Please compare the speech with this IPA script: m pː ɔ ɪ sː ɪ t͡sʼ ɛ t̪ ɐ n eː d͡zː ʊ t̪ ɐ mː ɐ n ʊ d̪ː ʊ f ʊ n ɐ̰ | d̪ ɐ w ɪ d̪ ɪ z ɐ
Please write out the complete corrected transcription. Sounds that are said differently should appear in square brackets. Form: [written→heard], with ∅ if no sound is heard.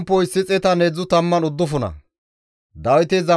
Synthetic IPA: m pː ɔ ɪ sː ɪ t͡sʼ ɛ t̪ ɐ n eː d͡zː ʊ t̪ ɐ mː ɐ n ʊ d̪ː ʊ f ʊ n ɐ̰ | d̪ ɐ w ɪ [d̪→t̪] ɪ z ɐ